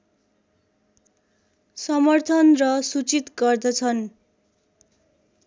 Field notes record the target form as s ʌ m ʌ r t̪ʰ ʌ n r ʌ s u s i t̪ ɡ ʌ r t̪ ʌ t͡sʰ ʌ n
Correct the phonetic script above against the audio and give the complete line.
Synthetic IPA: s ʌ m ʌ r t̪ʰ ʌ n r ʌ s u t͡s i t̪ ɡ ʌ r d̪ ʌ t͡sʰ ʌ n